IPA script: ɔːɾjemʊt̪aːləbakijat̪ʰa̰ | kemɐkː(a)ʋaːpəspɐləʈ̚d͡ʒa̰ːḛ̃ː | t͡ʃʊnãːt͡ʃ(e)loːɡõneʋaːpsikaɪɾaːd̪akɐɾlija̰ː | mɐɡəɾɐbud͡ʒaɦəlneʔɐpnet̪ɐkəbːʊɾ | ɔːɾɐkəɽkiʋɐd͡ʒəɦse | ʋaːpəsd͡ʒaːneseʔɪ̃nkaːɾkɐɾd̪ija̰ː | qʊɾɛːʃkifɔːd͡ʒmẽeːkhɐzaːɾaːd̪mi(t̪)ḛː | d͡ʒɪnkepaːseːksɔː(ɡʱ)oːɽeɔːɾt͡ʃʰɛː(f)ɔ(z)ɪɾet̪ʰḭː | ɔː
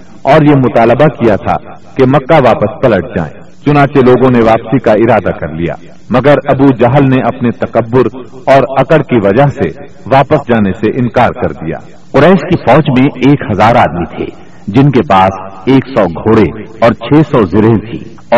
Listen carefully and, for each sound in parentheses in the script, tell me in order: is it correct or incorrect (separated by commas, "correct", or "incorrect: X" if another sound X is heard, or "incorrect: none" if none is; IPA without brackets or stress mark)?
correct, correct, incorrect: t̪ʰ, correct, incorrect: s, correct